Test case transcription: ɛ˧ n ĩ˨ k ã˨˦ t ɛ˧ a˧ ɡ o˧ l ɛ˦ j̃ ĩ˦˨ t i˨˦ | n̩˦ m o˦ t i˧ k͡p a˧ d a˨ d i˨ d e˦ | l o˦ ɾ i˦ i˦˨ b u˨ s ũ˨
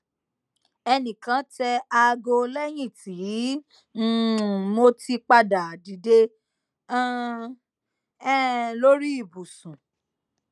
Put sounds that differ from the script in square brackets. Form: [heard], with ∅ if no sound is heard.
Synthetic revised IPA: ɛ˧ n ĩ˨ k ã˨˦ t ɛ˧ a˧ ɡ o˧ l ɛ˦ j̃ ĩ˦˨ t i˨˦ | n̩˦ m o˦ t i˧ k͡p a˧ d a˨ d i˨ d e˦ | l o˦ ɾ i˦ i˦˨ b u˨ s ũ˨